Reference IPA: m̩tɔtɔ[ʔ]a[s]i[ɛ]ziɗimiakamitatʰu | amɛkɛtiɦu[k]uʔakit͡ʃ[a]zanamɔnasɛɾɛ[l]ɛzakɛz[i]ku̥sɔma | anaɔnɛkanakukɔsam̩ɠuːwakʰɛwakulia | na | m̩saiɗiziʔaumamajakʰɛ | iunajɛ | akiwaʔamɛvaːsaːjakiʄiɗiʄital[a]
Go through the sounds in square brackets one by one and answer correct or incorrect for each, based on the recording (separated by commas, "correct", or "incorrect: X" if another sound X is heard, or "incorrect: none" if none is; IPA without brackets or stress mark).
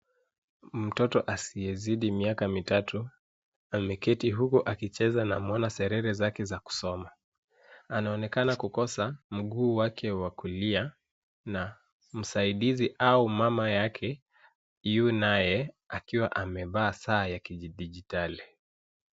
correct, correct, correct, correct, incorrect: ɛ, incorrect: ɾ, incorrect: a, incorrect: i